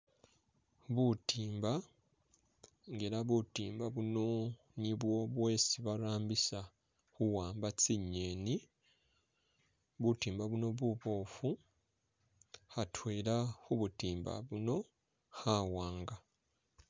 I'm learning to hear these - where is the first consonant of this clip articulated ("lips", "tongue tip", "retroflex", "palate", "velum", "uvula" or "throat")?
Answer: lips